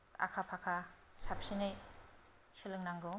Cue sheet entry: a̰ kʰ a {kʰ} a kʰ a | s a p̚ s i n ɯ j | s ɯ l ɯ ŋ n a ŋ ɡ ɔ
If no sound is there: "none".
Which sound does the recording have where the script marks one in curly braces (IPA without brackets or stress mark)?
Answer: pʰ